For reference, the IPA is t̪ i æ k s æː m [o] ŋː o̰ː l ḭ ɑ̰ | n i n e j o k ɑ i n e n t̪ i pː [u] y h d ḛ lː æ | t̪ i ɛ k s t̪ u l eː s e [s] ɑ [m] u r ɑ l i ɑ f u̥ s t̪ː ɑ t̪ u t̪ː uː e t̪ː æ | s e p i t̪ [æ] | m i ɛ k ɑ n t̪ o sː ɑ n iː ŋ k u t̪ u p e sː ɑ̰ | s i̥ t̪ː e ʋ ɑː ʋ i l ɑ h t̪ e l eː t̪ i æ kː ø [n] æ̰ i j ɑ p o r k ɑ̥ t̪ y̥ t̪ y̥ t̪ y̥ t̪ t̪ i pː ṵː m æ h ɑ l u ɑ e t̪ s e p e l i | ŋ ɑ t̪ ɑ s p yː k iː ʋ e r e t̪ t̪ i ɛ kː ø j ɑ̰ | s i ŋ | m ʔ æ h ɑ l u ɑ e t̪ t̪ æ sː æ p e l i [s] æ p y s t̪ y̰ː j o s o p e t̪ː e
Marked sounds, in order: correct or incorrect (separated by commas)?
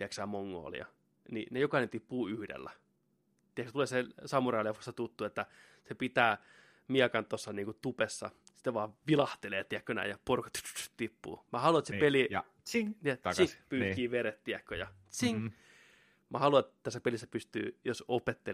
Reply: correct, incorrect, correct, correct, incorrect, correct, incorrect